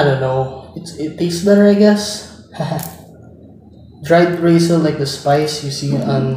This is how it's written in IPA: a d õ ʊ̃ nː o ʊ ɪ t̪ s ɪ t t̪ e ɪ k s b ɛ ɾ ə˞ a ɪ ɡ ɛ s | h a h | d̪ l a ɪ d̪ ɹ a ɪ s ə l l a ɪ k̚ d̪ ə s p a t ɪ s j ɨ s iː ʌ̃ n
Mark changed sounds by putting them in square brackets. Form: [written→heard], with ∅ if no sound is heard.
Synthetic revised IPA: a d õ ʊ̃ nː o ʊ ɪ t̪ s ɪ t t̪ e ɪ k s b ɛ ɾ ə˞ a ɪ ɡ ɛ s | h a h | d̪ [l→ɹ] a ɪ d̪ ɹ [a→e] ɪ s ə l l a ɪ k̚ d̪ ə s p a [t→∅] ɪ s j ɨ s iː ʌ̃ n